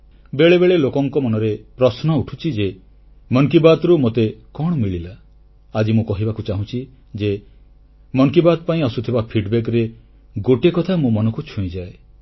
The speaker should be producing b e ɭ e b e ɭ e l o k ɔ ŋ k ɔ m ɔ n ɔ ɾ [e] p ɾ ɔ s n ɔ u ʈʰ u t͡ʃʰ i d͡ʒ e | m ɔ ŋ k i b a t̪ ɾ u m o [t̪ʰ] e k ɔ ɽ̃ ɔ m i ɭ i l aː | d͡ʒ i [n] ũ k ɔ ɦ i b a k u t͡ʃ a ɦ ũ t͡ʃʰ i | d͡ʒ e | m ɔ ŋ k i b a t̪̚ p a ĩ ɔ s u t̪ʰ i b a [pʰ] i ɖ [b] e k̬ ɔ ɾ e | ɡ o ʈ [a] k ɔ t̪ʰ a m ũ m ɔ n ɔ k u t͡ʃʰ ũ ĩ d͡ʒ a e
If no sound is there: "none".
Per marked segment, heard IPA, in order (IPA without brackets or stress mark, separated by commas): e, t̪, m, pʰ, b, e